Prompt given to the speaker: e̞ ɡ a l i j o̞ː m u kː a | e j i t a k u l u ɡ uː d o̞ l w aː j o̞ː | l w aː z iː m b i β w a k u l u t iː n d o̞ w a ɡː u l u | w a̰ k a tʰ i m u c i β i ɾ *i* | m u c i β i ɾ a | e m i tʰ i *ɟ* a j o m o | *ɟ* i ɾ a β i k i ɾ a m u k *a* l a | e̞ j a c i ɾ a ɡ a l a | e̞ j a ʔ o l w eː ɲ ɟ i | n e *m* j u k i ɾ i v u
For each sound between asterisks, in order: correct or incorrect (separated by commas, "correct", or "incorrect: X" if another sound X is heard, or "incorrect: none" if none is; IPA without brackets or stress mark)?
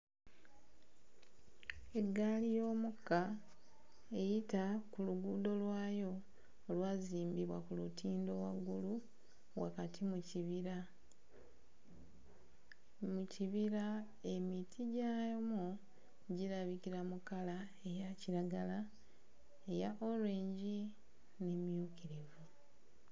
incorrect: a, correct, correct, correct, correct